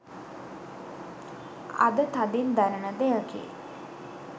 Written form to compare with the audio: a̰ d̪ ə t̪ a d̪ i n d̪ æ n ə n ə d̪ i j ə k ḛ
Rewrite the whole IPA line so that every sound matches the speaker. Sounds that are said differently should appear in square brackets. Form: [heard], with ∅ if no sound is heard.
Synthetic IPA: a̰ d̪ ə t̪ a d̪ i n d̪ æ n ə n ə d̪ [e] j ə k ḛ